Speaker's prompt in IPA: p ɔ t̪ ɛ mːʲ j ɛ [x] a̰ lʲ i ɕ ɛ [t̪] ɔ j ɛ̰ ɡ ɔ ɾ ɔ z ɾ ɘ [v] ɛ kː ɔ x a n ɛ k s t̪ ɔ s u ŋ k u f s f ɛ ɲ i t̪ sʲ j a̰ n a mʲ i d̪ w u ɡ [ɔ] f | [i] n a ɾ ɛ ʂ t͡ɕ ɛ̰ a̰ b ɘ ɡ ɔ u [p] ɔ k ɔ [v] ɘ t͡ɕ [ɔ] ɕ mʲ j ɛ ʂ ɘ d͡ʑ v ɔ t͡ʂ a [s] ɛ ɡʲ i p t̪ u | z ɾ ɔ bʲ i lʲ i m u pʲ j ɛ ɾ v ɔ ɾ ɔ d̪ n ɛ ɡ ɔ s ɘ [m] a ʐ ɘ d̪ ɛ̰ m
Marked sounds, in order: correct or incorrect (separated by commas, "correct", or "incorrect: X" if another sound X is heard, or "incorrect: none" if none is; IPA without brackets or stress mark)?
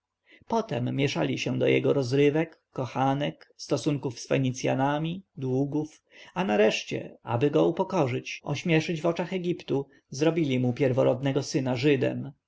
incorrect: ʂ, incorrect: d̪, correct, incorrect: u, incorrect: a, correct, incorrect: ʐ, correct, incorrect: x, incorrect: n